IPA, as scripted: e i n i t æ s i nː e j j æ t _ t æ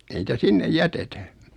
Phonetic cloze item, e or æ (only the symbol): e